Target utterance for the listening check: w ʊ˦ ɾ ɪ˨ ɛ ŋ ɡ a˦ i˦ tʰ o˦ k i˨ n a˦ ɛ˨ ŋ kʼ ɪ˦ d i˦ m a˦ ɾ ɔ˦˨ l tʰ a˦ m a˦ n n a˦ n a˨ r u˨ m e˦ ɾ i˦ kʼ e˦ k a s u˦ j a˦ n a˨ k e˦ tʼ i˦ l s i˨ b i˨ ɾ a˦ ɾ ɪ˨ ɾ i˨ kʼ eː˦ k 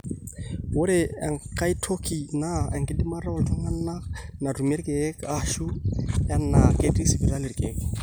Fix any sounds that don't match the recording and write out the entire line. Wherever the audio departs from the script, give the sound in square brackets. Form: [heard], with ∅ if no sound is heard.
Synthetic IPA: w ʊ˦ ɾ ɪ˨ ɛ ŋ [k] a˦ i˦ tʰ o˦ k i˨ n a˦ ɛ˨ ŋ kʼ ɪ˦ d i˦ m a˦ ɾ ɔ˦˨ l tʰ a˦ [ŋ] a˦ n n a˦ n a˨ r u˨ m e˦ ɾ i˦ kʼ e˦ k a [ʃ] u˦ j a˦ n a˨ k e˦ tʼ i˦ [∅] s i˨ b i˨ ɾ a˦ [l] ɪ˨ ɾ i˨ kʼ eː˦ k

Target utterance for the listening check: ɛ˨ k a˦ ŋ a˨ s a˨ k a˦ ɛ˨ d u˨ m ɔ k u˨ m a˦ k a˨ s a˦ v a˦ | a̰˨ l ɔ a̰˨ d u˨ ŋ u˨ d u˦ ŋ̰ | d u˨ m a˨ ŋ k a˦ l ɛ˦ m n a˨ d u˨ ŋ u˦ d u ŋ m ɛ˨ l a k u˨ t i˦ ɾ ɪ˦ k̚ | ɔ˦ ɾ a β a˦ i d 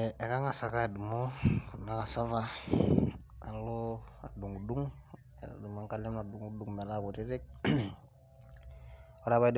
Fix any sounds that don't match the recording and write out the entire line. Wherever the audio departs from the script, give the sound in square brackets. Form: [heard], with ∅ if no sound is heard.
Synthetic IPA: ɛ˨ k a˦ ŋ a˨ s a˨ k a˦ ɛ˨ d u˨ m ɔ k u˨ [n] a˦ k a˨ s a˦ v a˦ | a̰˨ l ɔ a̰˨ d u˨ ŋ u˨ d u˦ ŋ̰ | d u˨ m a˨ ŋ k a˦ l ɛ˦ m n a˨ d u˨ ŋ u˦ d u ŋ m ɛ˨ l a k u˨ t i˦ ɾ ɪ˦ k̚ | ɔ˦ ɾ a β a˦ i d

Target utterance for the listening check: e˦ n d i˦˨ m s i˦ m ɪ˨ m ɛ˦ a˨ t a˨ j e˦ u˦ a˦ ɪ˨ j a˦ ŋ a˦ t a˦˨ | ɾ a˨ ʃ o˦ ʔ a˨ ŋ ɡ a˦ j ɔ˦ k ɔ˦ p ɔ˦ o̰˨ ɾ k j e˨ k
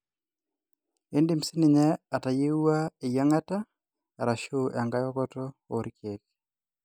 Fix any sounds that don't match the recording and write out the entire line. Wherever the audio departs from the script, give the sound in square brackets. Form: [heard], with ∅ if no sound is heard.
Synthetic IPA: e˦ n d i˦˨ m s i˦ [n] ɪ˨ [ɲ] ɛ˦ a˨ t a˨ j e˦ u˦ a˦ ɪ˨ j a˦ ŋ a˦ t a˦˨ | ɾ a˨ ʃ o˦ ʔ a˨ ŋ ɡ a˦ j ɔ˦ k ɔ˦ [t] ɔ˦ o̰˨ ɾ k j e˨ k

